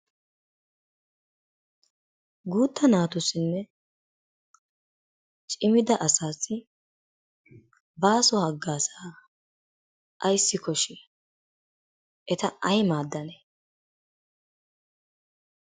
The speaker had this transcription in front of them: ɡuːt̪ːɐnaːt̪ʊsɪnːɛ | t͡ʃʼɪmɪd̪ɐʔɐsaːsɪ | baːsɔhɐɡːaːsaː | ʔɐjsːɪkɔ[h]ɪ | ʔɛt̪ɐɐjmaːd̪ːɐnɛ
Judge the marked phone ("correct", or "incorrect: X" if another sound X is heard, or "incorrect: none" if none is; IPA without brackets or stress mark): incorrect: ʃ